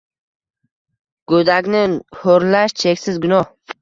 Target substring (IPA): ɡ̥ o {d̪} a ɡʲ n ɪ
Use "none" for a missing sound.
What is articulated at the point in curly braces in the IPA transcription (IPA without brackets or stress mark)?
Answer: d̪